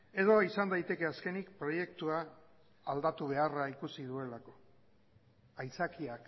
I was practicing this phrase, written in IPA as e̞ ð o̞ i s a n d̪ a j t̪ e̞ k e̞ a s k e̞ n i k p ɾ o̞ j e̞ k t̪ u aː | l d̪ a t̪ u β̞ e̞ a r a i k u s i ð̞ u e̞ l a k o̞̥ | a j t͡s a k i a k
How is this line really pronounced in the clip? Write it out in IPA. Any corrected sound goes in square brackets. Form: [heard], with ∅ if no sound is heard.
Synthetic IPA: e̞ ð o̞ i s a n d̪ a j t̪ e̞ k e̞ a s k e̞ n i k p ɾ o̞ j e̞ k t̪ u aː | l d̪ a t̪ u β̞ e̞ a r a i k u s i ð̞ u e̞ l a k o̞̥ | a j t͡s a k i a k